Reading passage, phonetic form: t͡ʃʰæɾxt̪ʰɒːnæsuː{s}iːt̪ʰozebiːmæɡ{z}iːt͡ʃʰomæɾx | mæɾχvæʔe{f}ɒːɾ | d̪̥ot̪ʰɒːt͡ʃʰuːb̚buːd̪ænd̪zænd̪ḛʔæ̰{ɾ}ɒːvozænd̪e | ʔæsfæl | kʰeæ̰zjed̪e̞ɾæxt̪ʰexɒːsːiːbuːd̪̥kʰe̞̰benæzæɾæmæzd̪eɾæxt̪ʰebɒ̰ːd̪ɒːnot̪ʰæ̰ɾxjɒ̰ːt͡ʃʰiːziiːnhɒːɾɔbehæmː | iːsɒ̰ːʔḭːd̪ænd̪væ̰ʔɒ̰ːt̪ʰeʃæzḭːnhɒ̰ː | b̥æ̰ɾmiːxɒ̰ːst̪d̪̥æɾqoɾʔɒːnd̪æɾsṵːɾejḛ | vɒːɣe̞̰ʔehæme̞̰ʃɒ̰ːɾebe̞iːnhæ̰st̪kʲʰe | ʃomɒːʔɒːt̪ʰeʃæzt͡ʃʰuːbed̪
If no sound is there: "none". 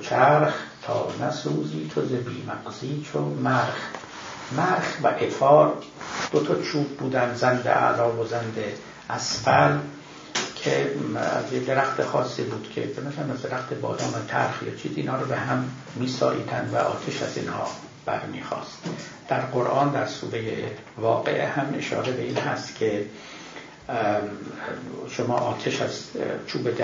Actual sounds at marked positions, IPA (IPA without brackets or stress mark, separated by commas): z, z, f, l